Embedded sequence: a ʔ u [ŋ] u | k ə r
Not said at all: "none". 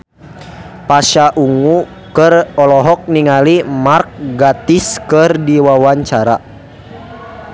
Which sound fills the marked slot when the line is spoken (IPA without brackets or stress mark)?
ŋ